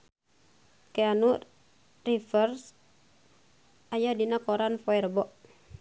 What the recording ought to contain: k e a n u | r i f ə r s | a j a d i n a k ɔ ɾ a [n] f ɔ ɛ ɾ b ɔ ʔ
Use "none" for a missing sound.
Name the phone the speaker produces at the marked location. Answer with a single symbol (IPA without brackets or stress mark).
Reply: n